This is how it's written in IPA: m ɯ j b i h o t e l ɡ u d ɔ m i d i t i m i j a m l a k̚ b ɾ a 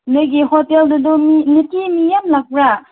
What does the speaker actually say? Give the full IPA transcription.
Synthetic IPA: n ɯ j ɡ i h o t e l d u d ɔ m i n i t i m i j a m l a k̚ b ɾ a